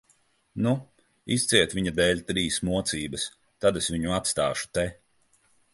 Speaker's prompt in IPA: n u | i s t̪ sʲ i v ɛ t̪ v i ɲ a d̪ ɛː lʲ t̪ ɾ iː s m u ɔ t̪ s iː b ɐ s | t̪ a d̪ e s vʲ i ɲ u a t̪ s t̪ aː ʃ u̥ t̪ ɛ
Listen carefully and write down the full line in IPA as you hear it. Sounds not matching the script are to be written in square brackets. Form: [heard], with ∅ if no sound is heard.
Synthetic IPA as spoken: n u | i s t̪ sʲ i [∅] ɛ t̪ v i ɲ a d̪ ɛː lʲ t̪ ɾ iː s m u ɔ t̪ s iː b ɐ s | t̪ a d̪ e s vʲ i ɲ u a t̪ s t̪ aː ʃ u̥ t̪ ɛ